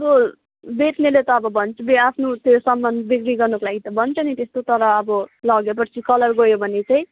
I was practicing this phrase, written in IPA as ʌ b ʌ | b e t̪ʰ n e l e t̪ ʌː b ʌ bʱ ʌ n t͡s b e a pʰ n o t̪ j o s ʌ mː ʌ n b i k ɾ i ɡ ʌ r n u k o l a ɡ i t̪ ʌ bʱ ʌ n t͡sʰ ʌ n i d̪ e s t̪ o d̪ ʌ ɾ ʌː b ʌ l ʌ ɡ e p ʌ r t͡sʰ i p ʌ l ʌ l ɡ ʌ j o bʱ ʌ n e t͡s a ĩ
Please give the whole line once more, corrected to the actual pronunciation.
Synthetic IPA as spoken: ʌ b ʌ | b e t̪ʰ n e l e t̪ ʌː b ʌ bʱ ʌ n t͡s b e a pʰ n o t̪ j o s ʌ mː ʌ n b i k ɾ i ɡ ʌ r n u k o l a ɡ i t̪ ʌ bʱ ʌ n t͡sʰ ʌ n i t̪ e s t̪ o t̪ ʌ ɾ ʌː b ʌ l ʌ ɡ e p ʌ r t͡sʰ i k ʌ l ʌ r ɡ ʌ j o bʱ ʌ n e t͡s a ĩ

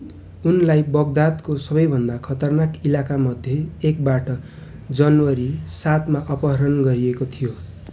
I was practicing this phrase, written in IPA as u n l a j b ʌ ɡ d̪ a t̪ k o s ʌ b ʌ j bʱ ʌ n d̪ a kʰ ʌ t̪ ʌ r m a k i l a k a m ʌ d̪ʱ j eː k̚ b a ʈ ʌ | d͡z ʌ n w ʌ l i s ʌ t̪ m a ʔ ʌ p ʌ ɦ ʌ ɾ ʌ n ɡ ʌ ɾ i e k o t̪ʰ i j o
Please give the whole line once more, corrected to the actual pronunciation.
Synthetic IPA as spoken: u n l a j b ʌ ɡ d̪ a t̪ k o s ʌ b ʌ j bʱ ʌ n d̪ a kʰ ʌ t̪ ʌ r n a k i l a k a m ʌ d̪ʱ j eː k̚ b a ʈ ʌ | d͡z ʌ n w ʌ ɾ i s a t̪ m a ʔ ʌ p ʌ ɦ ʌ ɾ ʌ n ɡ ʌ ɾ i e k o t̪ʰ i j o

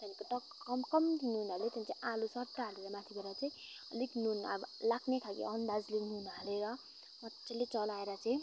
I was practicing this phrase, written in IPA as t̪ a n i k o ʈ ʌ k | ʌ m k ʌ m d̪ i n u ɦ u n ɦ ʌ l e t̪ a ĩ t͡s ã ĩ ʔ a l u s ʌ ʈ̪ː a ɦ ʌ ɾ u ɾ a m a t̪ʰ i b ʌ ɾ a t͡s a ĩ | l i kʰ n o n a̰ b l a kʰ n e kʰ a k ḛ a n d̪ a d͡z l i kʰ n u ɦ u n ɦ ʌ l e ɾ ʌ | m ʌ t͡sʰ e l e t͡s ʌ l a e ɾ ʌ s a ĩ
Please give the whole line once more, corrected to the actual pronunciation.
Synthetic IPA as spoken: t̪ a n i k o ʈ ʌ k | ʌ m k ʌ m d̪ i n u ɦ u n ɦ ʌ l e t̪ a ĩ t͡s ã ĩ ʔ a l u s ʌ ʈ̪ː a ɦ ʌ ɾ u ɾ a m a t̪ʰ i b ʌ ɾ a t͡s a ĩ | l i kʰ n u n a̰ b l a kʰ n e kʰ a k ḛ ʌ n d̪ a d͡z l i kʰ n u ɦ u n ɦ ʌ l e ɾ ʌ | m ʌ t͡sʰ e l e t͡s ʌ l a e ɾ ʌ t͡s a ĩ

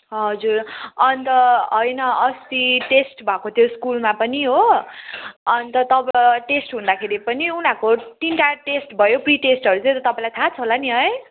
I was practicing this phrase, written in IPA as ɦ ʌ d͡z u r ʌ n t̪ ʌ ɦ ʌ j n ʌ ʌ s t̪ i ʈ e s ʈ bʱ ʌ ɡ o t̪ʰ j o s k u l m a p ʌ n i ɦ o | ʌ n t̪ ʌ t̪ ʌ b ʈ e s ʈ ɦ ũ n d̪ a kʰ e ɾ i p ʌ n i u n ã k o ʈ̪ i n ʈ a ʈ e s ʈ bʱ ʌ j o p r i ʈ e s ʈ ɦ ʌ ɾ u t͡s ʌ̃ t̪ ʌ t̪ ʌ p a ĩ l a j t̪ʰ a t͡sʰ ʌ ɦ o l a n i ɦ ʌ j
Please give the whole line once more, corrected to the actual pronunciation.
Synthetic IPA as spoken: ɦ ʌ d͡z u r ʌ n t̪ ʌ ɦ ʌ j n ʌ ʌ s t̪ i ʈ e s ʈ bʱ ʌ k o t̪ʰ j o s k u l m a p ʌ n i ɦ o | ʌ n t̪ ʌ t̪ ʌ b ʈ e s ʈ ɦ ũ n d̪ a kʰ e ɾ i p ʌ n i u n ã k o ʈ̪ i n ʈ a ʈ e s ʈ bʱ ʌ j o p r i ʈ e s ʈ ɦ ʌ ɾ u t͡s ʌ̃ t̪ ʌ t̪ ʌ p a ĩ l a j t̪ʰ a t͡sʰ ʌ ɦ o l a n i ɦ ʌ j

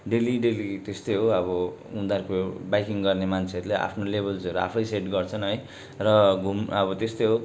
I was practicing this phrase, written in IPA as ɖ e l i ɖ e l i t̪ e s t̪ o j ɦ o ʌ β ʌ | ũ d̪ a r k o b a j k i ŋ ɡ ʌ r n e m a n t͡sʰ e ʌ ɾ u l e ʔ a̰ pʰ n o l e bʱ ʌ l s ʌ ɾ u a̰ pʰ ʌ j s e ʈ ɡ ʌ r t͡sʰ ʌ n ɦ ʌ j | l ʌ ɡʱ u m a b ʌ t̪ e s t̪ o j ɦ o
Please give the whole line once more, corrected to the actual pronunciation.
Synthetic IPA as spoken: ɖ e l i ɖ e l i t̪ e s t̪ o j ɦ o ʌ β ʌ | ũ d̪ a r k o b a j k i ŋ ɡ ʌ r n e m a n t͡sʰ e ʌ ɾ u l e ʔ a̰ pʰ n o l e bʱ ʌ l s ʌ ɾ u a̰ pʰ ʌ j s e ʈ ɡ ʌ r t͡sʰ ʌ n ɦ ʌ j | r ʌ ɡʱ u m ʌ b ʌ t̪ e s t̪ o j ɦ o

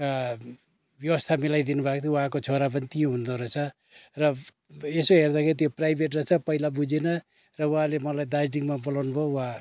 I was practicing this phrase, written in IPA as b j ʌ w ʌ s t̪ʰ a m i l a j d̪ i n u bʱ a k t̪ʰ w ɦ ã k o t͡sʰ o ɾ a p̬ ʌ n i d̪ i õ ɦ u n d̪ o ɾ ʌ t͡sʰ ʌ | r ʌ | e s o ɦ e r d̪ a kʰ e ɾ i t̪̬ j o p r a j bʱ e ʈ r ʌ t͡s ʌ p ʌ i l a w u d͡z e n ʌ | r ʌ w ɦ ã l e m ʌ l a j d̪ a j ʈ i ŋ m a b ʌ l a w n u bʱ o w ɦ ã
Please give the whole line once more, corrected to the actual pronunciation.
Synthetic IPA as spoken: b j ʌ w ʌ s t̪ʰ a m i l a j d̪ i n u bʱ a k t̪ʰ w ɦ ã k o t͡sʰ o ɾ a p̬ ʌ n i t̪ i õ ɦ u n d̪ o ɾ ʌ t͡sʰ ʌ | r ʌ | e s o ɦ e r d̪ a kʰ e ɾ i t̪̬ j o p r a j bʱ e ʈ r ʌ t͡sʰ ʌ p ʌ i l a b u d͡z e n ʌ | r ʌ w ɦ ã l e m ʌ l a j d̪ a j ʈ i ŋ m a b ʌ l a w n u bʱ o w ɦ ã

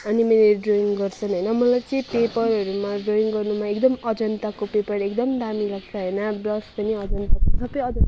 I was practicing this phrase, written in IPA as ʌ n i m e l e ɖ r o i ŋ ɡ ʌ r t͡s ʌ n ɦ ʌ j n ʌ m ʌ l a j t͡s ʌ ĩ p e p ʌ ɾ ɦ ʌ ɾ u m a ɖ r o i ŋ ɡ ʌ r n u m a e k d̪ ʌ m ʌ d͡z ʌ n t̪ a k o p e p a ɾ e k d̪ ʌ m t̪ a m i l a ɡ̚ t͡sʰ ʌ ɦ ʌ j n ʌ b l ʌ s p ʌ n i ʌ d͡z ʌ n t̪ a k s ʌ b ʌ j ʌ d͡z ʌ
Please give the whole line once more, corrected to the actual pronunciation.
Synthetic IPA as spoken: ʌ n i m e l e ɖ r o i ŋ ɡ ʌ r t͡sʰ ʌ n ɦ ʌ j n ʌ m ʌ l a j t͡s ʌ ĩ p e p ʌ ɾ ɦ ʌ ɾ u m a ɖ r o i ŋ ɡ ʌ r n u m a e k d̪ ʌ m ʌ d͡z ʌ n t̪ a k o p e p ʌ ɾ e k d̪ ʌ m d̪ a m i l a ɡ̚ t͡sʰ ʌ ɦ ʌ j n ʌ b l ʌ s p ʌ n i ʌ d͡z ʌ n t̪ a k s ʌ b ʌ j ʌ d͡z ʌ

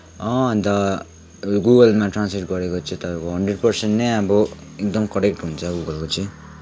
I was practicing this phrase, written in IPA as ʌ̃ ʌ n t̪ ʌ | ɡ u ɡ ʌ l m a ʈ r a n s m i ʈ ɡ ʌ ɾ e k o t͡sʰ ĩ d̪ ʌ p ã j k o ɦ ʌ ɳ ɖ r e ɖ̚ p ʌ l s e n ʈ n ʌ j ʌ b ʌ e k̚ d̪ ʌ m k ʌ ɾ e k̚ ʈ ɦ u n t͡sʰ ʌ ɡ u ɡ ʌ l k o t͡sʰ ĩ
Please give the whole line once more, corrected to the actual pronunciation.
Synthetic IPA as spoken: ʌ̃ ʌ n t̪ ʌ | ɡ u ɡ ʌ l m a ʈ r a n s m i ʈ ɡ ʌ ɾ e k o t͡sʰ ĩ t̪ ʌ p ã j k o ɦ ʌ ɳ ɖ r e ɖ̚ p ʌ r s e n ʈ n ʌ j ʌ b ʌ e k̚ d̪ ʌ m k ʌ ɾ e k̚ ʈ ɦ u n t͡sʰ ʌ ɡ u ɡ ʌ l k o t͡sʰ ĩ

